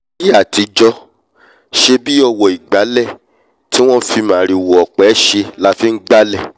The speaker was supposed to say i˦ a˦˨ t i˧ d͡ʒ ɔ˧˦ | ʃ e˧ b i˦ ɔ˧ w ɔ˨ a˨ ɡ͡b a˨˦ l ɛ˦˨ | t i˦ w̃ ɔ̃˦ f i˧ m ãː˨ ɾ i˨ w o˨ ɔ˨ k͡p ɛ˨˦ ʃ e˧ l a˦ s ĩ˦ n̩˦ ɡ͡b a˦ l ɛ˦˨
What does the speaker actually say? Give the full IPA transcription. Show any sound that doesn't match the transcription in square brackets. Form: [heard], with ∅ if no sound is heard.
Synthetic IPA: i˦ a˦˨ t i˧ d͡ʒ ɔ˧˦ | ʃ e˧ b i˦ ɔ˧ w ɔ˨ [i˨] ɡ͡b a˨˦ l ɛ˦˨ | t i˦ w̃ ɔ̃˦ f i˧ m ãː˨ ɾ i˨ w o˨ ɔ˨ k͡p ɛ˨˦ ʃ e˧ l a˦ [f] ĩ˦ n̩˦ ɡ͡b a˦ l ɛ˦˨